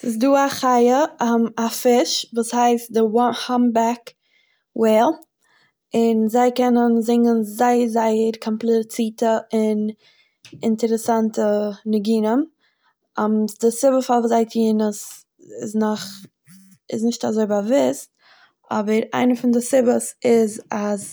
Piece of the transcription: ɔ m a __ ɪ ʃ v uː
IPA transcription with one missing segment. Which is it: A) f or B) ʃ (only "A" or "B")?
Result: A